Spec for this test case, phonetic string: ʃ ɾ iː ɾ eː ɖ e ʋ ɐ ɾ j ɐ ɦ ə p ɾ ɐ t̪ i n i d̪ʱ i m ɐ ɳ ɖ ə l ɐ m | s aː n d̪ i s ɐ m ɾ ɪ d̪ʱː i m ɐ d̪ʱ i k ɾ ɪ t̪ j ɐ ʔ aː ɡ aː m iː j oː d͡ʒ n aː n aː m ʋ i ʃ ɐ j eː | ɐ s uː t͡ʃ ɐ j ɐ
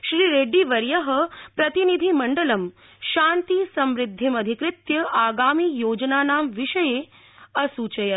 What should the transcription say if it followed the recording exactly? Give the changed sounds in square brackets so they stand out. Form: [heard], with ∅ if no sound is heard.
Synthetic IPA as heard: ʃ ɾ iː ɾ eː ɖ [i] ʋ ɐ ɾ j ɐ ɦ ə p ɾ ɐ t̪ i n i d̪ʱ i m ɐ ɳ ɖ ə l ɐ m | [ʃ] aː n [t̪] i s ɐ m ɾ ɪ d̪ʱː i m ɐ d̪ʱ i k ɾ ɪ t̪ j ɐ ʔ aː ɡ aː m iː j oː d͡ʒ n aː n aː m ʋ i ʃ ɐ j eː | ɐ s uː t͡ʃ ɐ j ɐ